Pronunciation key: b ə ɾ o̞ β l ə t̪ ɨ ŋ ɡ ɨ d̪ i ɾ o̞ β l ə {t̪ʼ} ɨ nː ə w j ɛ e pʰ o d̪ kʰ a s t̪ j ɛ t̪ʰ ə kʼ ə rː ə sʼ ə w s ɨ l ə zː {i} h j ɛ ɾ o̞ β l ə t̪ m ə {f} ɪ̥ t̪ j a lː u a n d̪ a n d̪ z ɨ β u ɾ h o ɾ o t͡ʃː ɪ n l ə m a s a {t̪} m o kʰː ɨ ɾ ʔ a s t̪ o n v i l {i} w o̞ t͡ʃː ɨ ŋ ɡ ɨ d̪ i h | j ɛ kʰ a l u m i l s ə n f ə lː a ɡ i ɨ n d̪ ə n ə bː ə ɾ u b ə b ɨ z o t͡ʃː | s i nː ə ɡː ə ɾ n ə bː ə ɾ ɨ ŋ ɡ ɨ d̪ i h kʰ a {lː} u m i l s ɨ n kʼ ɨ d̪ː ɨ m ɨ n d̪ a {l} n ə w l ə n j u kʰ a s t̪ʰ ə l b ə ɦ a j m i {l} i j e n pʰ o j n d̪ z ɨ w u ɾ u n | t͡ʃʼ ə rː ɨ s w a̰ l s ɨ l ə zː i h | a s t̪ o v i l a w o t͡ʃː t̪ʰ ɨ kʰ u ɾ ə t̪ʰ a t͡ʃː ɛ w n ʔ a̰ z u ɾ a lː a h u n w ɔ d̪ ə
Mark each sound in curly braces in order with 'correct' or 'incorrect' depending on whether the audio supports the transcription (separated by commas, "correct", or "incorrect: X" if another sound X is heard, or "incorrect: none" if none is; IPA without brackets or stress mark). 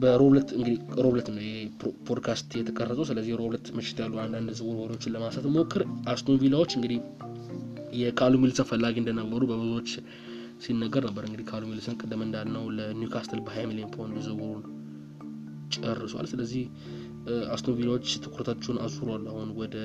incorrect: t̪, correct, incorrect: ʃ, correct, incorrect: a, incorrect: l, correct, correct